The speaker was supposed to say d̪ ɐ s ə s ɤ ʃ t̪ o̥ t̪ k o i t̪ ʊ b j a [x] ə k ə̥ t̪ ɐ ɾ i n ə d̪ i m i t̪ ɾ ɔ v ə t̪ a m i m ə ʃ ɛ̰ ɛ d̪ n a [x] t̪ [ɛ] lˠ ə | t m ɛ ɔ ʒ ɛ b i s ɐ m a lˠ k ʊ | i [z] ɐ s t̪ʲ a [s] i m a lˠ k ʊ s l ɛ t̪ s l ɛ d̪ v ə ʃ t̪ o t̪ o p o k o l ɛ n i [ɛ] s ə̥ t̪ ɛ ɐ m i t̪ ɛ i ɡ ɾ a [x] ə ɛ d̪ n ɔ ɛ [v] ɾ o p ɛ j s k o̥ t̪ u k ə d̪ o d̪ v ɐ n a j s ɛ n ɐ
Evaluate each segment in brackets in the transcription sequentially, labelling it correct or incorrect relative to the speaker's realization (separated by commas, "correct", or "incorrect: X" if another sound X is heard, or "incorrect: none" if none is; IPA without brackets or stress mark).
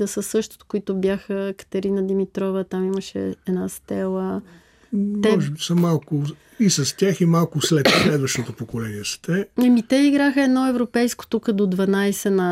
correct, incorrect: s, correct, incorrect: s, incorrect: x, correct, correct, correct